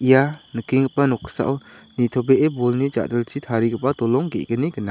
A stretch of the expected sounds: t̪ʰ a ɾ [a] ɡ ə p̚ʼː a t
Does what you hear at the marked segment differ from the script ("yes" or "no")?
yes